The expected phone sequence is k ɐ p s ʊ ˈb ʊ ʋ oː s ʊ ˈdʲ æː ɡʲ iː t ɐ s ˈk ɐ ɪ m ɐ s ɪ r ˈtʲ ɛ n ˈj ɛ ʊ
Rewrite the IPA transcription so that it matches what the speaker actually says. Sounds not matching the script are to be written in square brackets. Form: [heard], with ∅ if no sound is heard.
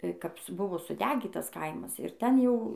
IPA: k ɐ p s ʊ ˈb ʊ ʋ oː s ʊ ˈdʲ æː ɡʲ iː t ɐ s ˈk ɐ ɪ m ɐ s ɪ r ˈtʲ ɛ n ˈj ɛ ʊ